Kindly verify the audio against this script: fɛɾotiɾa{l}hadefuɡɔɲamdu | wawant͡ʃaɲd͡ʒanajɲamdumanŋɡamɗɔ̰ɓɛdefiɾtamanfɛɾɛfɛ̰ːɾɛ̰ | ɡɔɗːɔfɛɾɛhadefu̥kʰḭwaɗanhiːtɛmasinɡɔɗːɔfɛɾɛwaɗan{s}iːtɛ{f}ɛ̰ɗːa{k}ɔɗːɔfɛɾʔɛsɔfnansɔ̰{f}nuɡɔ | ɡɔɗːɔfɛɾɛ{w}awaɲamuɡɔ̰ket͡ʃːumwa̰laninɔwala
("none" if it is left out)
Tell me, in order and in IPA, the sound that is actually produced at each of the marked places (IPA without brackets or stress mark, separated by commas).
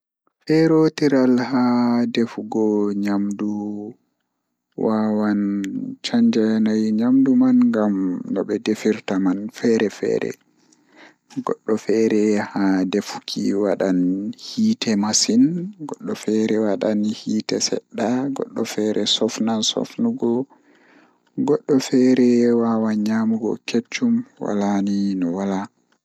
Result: l, h, s, ɡ, f, w